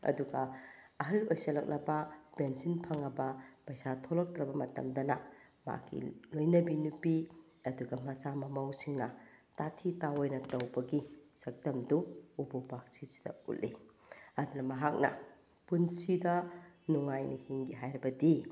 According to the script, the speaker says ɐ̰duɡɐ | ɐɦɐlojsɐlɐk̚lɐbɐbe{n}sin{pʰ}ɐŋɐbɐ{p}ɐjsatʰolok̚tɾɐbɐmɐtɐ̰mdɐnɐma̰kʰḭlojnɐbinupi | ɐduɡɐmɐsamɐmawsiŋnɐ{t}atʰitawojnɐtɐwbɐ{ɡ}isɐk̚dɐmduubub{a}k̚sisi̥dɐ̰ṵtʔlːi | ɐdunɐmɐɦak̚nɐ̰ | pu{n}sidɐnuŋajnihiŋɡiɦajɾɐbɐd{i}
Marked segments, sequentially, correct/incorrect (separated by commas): correct, correct, correct, correct, correct, correct, correct, correct